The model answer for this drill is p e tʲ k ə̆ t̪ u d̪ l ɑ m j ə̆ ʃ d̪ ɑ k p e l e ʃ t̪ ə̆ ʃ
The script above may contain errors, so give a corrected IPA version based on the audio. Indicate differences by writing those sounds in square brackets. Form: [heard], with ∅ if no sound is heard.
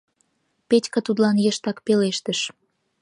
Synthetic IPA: p e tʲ k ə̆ t̪ u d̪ l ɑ [n] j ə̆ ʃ [t̪] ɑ k p e l e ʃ t̪ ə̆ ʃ